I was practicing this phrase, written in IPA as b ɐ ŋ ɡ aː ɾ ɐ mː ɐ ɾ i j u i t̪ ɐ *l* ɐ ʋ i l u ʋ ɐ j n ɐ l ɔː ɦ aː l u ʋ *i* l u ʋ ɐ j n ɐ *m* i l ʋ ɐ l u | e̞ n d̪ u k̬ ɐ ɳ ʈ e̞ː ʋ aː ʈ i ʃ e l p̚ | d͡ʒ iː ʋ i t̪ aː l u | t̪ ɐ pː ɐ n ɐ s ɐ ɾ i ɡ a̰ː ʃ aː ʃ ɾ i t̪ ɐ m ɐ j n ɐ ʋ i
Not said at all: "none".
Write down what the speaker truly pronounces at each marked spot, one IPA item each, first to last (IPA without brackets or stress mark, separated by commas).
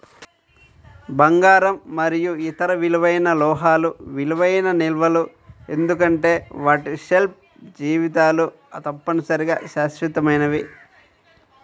ɾ, i, n